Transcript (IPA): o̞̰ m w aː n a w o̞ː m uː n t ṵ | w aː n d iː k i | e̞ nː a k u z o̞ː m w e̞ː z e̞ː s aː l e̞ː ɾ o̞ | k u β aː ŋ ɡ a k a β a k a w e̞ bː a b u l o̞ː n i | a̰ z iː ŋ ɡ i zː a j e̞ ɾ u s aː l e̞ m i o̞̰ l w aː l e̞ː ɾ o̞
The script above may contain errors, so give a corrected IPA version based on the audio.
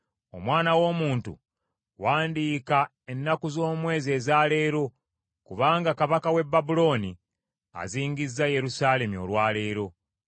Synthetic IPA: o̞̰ m w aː n a w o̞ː m uː n t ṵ | w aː n d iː k a | e̞ nː a k u z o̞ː m w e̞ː z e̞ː z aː l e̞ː ɾ o̞ | k u β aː ŋ ɡ a k a β a k a w e̞ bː a b u l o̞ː n i | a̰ z iː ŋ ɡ i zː a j e̞ ɾ u s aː l e̞ m i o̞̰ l w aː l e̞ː ɾ o̞